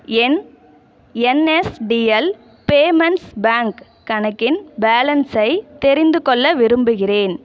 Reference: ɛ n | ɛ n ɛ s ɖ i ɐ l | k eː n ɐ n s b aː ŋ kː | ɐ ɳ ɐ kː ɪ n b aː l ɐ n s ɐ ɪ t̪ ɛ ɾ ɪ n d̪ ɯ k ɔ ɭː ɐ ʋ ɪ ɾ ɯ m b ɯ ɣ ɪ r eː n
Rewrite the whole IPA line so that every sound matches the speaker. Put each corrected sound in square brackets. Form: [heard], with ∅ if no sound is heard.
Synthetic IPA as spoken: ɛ n | ɛ n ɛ s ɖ i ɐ l | [p] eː [m] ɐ n s b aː ŋ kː | ɐ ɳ ɐ kː ɪ n b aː l ɐ n s ɐ ɪ t̪ ɛ ɾ ɪ n d̪ ɯ k ɔ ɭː ɐ ʋ ɪ ɾ ɯ m b ɯ ɣ ɪ r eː n